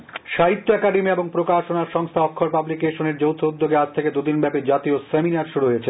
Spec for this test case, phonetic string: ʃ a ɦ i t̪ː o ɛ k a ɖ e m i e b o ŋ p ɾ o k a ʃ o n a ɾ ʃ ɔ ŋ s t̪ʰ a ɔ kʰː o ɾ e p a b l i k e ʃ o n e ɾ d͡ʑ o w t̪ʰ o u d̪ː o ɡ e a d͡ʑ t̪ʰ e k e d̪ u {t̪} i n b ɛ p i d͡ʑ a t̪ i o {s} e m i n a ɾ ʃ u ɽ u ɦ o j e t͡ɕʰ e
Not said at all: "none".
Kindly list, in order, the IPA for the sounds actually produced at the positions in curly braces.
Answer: d̪, s

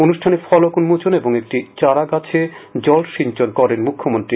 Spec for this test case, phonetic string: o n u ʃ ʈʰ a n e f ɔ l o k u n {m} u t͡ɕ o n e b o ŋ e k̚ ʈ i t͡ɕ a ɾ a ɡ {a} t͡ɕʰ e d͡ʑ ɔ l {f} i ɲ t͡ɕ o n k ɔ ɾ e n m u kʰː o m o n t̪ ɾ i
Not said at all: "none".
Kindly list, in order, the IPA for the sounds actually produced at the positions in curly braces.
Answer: m, a, ʃ

